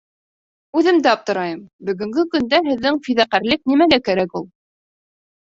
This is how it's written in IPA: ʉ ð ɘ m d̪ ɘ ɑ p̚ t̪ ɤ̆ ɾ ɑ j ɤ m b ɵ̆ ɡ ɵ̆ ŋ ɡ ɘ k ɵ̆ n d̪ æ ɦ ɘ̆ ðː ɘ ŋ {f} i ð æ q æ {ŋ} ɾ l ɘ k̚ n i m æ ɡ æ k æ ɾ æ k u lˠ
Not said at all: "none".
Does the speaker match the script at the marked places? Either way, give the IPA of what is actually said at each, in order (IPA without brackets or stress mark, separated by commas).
f, none